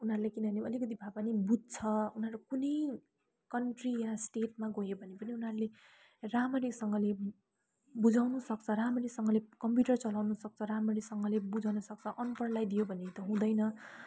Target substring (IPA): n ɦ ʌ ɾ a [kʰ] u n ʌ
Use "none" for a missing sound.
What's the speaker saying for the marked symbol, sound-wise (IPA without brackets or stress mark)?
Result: k